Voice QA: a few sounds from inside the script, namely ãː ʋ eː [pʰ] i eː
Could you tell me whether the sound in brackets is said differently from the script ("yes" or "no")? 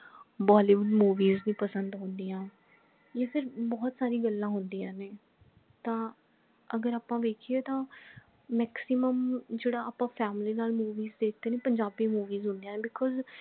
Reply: yes